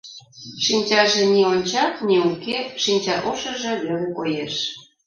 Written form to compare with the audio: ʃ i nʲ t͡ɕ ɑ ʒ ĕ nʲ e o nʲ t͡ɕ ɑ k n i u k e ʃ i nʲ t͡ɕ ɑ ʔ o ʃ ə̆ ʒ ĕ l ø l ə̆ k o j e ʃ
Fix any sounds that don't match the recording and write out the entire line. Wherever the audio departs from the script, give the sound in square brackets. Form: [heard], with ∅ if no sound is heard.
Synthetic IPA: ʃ i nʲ t͡ɕ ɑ ʒ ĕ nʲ [i] o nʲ t͡ɕ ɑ k n i u k e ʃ i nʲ t͡ɕ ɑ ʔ o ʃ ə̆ ʒ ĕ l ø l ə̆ k o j e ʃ